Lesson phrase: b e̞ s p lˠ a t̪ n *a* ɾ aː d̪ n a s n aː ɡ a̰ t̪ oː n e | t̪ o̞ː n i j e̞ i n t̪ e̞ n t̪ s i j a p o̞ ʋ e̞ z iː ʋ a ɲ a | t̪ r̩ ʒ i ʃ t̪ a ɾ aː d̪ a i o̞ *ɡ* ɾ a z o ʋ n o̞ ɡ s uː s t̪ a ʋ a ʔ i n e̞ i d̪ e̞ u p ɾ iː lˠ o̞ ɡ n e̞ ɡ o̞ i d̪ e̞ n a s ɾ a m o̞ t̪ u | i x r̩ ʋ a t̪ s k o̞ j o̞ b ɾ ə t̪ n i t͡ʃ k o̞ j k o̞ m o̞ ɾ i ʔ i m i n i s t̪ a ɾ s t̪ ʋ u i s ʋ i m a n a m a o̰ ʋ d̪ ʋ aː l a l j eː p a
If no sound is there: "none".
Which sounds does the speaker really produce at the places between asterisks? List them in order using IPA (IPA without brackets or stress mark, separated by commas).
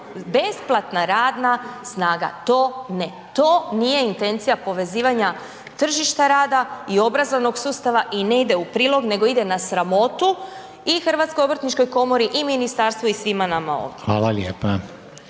a, b